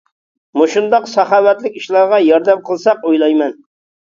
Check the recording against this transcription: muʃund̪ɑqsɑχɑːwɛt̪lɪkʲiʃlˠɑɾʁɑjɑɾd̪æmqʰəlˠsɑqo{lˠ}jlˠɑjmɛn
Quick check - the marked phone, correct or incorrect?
incorrect